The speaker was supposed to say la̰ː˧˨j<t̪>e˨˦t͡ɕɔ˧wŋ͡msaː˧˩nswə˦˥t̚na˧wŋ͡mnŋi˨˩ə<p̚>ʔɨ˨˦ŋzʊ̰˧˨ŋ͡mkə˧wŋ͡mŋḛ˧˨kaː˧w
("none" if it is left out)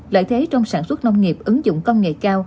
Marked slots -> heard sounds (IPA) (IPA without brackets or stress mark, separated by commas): t̪ʰ, p̚